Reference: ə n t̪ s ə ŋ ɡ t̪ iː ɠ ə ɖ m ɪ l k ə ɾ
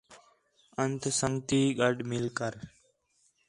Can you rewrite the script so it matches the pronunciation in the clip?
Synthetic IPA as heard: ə n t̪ s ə ŋ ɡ t̪ iː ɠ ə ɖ m ɪ l k ə ɾ